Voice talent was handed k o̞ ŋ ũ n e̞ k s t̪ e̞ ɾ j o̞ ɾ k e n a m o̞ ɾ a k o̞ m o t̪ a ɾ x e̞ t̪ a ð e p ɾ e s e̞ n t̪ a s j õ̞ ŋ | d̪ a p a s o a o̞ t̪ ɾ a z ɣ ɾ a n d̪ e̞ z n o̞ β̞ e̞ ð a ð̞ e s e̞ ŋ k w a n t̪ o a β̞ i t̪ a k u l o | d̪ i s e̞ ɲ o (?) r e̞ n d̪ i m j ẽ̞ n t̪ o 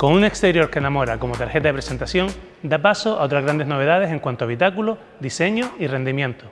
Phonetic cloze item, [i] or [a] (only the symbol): i